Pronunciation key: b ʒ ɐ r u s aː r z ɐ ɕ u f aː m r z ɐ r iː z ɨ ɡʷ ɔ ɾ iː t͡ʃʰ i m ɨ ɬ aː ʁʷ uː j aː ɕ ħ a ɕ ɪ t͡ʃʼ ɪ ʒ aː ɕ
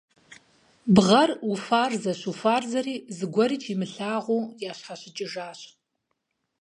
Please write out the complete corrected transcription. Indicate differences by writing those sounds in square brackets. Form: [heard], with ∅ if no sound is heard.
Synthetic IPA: b [ʁ] ɐ r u [f] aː r z ɐ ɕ u f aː [∅] r z ɐ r iː z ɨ ɡʷ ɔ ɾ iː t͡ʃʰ i m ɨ ɬ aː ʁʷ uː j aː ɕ ħ a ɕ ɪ t͡ʃʼ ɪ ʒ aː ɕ